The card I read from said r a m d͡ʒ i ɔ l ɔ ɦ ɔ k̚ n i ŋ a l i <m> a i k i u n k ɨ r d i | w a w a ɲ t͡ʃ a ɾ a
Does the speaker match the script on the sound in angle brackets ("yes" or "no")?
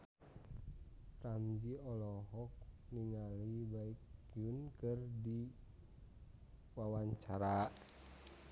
no